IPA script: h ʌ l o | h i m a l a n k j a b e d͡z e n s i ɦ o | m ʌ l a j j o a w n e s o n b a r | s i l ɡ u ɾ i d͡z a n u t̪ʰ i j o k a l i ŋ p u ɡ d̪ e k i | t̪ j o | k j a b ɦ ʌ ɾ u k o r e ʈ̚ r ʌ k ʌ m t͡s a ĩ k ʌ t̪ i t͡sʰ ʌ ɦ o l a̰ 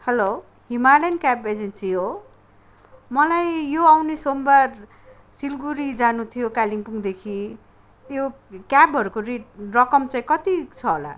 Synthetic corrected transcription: h ʌ l o | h i m a l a n k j a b e d͡z e n s i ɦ o | m ʌ l a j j o a w n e s o m b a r | s i l ɡ u ɾ i d͡z a n u t̪ʰ i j o k a l i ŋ p u ŋ d̪ e kʰ i | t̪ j o | k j a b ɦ ʌ ɾ u k o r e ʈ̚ r ʌ k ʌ m t͡s a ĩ k ʌ t̪ i t͡sʰ ʌ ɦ o l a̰